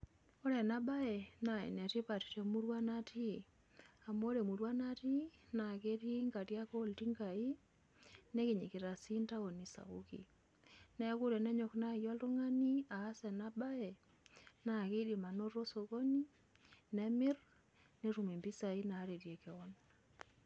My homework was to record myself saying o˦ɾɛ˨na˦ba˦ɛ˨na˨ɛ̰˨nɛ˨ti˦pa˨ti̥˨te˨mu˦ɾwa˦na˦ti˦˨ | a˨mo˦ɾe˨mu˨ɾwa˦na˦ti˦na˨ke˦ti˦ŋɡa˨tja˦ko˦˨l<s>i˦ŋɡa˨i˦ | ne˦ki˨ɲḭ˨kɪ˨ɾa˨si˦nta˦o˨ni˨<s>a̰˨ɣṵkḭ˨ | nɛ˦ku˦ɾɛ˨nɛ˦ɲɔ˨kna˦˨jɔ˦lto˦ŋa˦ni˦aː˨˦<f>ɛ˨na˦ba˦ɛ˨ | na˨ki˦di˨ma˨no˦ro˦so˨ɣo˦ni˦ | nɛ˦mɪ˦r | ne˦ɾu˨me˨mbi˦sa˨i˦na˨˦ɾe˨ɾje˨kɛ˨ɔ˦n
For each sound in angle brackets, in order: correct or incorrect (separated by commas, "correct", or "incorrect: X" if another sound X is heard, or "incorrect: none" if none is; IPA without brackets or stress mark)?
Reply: incorrect: t, correct, incorrect: s